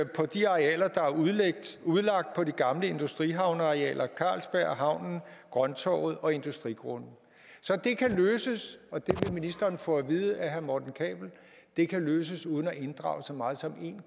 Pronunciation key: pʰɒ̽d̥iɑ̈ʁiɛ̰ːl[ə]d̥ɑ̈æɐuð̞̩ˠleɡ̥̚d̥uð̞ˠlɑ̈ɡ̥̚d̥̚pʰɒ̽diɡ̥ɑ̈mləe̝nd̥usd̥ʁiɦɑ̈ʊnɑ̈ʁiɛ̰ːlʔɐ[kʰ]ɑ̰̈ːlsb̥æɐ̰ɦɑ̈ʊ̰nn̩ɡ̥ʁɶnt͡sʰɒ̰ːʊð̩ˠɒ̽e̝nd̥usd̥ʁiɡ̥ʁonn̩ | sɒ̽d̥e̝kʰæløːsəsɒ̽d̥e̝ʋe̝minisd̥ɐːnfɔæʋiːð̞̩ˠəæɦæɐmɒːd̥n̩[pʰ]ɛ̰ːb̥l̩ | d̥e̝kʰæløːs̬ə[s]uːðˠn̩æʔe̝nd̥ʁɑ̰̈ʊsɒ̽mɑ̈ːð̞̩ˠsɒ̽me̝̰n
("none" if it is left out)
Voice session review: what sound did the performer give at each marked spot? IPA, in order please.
ɐ, kʰ, kʰ, s

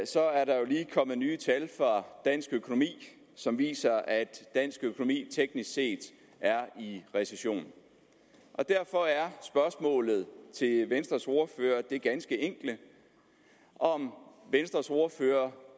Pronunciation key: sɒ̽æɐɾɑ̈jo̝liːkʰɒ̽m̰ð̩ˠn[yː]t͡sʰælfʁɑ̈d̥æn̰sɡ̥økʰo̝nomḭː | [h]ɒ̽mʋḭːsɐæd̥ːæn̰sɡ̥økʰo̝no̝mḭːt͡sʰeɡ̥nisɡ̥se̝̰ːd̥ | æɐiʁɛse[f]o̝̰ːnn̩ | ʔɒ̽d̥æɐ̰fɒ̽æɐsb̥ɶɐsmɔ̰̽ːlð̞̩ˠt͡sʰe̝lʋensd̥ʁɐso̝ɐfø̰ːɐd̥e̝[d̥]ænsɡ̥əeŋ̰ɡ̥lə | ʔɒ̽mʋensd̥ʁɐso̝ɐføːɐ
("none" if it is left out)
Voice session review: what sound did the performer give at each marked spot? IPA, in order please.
yː, s, ɕ, ɡ̥

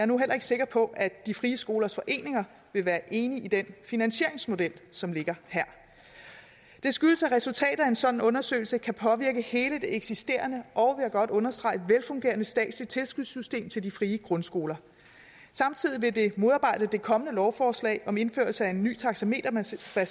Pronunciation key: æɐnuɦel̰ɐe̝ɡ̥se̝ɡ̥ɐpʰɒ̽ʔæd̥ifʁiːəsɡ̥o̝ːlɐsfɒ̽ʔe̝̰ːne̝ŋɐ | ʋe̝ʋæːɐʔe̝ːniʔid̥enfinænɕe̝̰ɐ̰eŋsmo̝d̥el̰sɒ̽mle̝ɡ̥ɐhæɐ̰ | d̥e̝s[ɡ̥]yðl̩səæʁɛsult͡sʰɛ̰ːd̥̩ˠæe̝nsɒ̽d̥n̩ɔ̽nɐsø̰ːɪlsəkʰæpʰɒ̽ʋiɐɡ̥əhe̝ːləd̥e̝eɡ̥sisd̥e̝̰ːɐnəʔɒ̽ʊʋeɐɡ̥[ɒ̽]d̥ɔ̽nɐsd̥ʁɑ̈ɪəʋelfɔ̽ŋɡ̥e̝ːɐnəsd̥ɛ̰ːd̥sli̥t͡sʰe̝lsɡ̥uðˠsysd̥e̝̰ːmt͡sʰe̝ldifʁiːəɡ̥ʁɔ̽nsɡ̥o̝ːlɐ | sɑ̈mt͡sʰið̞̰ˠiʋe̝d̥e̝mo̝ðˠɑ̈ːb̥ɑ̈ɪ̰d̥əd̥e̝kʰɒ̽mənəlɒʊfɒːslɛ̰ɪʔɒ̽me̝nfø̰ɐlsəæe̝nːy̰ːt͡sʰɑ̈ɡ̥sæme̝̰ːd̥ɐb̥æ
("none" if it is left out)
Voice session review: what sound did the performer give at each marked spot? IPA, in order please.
ɡ̥, ɒ̽

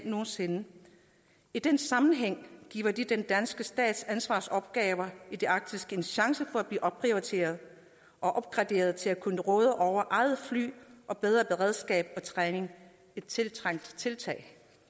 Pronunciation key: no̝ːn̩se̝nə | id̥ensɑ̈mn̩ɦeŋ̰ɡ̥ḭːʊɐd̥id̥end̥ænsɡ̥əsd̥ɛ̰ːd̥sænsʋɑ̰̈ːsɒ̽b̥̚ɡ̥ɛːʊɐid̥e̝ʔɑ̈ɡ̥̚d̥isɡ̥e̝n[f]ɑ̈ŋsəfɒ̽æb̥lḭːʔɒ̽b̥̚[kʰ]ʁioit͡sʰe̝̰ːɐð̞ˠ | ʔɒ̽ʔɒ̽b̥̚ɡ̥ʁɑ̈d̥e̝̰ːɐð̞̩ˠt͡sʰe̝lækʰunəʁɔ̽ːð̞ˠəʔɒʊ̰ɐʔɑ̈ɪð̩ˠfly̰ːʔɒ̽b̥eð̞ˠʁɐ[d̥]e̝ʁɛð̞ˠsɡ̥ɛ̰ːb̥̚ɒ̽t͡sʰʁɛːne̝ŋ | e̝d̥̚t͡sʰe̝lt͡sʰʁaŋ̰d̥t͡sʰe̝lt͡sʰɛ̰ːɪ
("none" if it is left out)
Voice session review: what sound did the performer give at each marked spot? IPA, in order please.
ɕ, pʰ, b̥

